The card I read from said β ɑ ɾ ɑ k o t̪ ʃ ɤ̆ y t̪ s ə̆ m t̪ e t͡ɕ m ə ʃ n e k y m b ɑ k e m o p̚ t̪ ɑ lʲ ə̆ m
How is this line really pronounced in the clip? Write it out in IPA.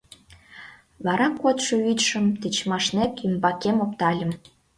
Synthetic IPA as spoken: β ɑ ɾ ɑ k o t̪ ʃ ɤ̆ y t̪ ʃ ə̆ m t̪ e t͡ɕ m ɑ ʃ n e k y m b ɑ k e m o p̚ t̪ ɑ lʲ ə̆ m